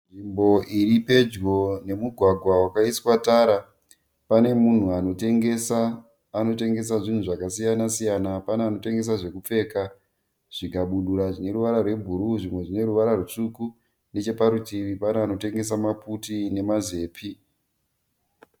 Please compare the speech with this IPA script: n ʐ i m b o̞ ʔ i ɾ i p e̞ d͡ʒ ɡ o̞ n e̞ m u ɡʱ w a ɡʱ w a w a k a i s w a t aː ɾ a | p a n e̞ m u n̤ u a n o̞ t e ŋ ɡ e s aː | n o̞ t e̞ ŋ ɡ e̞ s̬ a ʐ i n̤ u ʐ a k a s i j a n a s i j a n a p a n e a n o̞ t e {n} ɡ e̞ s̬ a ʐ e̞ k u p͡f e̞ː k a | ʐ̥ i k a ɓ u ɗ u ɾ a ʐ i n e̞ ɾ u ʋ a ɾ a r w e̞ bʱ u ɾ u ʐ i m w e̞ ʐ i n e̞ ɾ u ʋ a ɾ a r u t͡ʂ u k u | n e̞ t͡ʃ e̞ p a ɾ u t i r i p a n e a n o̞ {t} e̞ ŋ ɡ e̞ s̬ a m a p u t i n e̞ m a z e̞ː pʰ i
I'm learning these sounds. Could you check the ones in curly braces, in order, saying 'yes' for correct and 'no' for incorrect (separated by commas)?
no, yes